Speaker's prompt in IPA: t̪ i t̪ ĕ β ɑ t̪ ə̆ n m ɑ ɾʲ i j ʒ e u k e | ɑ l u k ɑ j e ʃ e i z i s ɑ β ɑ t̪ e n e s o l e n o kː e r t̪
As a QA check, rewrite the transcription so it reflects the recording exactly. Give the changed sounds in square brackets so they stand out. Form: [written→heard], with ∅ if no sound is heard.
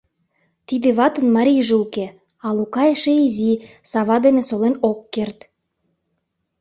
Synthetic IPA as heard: t̪ i [t̪→d̪] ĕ β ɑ t̪ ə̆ n m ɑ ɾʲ i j ʒ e u k e | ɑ l u k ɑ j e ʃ e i z i s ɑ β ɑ [t̪→d̪] e n e s o l e n o kː e r t̪